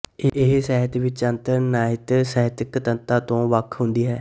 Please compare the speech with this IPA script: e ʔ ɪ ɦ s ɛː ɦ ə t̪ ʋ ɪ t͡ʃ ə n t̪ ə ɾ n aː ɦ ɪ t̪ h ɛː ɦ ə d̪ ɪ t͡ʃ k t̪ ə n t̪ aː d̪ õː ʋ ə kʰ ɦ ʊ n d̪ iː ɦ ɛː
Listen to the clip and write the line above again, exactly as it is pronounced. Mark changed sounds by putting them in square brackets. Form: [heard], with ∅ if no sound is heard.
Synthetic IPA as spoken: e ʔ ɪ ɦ s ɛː ɦ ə t̪ ʋ ɪ t͡ʃ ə n t̪ ə ɾ n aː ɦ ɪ t̪ [s] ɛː ɦ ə [t̪] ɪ [∅] k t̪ ə n t̪ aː [t̪] õː ʋ ə kʰ ɦ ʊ n d̪ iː ɦ ɛː

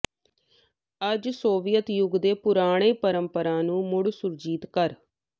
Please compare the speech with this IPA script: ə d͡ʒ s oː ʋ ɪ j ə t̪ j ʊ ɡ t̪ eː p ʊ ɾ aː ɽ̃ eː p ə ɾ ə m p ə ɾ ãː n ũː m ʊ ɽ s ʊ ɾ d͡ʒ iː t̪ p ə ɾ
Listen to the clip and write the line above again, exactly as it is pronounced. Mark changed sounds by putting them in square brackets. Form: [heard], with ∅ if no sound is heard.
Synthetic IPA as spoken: ə d͡ʒ s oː ʋ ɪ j ə t̪ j ʊ ɡ [d̪] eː p ʊ ɾ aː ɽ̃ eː p ə ɾ ə m p ə ɾ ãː n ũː m ʊ ɽ s ʊ ɾ d͡ʒ iː t̪ [k] ə ɾ

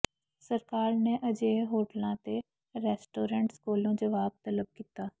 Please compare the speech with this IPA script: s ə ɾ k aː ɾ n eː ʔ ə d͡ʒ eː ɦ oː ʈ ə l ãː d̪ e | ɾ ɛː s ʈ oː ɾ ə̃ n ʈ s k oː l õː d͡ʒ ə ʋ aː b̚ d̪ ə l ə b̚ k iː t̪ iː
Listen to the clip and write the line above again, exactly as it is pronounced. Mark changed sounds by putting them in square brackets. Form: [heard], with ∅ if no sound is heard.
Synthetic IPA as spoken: s ə ɾ k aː ɾ n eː ʔ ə d͡ʒ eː ɦ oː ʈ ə l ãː [t̪] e | ɾ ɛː s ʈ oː ɾ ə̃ [ɳ] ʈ s k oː l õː d͡ʒ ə ʋ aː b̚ [t̪] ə l ə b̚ k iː t̪ [aː]

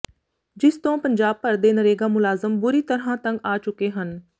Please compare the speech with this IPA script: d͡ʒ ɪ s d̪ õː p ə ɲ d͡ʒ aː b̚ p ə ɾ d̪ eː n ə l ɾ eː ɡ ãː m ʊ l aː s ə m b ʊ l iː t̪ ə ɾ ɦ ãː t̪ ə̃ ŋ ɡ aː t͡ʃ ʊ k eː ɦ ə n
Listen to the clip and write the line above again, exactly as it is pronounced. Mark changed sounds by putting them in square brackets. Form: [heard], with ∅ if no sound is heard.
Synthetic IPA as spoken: d͡ʒ ɪ s [t̪] õː p ə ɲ d͡ʒ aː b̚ p ə ɾ d̪ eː n ə [∅] ɾ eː ɡ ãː m ʊ l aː [z] ə m b ʊ [ɾ] iː t̪ ə ɾ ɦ ãː t̪ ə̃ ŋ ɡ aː t͡ʃ ʊ k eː ɦ ə n

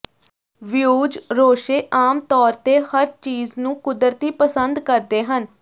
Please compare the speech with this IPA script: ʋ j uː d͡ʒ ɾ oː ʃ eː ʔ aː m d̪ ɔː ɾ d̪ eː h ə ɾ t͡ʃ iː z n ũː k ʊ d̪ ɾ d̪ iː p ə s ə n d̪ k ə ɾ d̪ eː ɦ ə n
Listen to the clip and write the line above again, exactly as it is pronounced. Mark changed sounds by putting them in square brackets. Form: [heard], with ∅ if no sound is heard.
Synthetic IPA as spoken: ʋ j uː d͡ʒ ɾ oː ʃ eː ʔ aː m [t̪] ɔː ɾ [t̪] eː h ə ɾ t͡ʃ iː z n ũː k ʊ d̪ ɾ [t̪] iː p ə s ə n d̪ k ə ɾ d̪ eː ɦ ə n

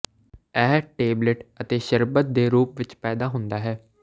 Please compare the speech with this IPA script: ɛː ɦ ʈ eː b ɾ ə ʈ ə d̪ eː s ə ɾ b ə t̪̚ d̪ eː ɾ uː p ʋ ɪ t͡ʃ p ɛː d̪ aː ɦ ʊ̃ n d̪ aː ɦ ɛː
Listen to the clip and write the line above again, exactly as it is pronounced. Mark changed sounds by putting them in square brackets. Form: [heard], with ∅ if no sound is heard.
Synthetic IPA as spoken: ɛː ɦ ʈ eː b [l] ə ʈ ə [t̪] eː [ʃ] ə ɾ b ə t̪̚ d̪ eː ɾ uː p ʋ ɪ t͡ʃ p ɛː d̪ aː ɦ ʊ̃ n d̪ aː ɦ ɛː

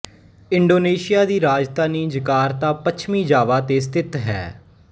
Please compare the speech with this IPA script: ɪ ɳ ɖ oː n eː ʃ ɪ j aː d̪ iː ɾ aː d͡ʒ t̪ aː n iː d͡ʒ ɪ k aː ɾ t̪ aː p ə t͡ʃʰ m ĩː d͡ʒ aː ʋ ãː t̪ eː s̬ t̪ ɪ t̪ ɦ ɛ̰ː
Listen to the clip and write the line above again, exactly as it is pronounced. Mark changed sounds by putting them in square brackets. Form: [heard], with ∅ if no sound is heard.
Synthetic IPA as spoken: ɪ ɳ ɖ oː n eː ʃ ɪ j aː d̪ iː ɾ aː d͡ʒ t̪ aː n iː d͡ʒ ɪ k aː ɾ t̪ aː p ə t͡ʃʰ m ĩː d͡ʒ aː ʋ [aː] t̪ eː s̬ t̪ ɪ t̪ ɦ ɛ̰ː

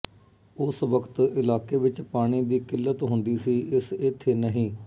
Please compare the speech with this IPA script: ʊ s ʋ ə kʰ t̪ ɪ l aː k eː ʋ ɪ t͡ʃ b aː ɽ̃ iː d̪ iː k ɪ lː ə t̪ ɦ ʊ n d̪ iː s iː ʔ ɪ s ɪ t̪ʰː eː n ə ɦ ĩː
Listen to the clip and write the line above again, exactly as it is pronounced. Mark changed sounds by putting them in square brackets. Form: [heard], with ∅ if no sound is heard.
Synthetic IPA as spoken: ʊ s ʋ ə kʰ t̪ ɪ l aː k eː ʋ ɪ t͡ʃ [p] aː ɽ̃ iː d̪ iː k ɪ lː ə t̪ ɦ ʊ n d̪ iː s iː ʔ ɪ s ɪ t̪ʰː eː n ə ɦ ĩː

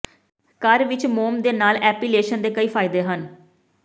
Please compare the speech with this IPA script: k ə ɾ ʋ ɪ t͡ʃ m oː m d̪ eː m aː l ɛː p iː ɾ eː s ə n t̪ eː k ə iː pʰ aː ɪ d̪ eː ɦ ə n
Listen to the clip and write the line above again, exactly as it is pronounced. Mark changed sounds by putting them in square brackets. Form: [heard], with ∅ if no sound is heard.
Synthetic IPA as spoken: k ə ɾ ʋ ɪ t͡ʃ m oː m d̪ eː [n] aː l ɛː p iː [l] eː [ʃ] ə n [d̪] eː k ə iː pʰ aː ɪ d̪ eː ɦ ə n

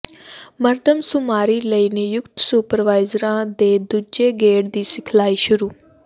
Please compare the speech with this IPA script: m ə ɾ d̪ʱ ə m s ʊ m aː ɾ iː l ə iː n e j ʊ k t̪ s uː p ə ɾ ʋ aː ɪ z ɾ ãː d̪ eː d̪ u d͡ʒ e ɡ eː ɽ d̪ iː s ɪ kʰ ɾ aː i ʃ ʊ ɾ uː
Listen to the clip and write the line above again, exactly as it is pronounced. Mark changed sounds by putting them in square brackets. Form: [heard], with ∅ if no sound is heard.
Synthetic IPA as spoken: m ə ɾ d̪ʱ ə m s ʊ m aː ɾ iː l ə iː n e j ʊ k t̪ s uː p ə ɾ ʋ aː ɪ z ɾ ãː d̪ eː d̪ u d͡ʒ e ɡ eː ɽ d̪ iː s ɪ kʰ [l] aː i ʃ ʊ ɾ uː

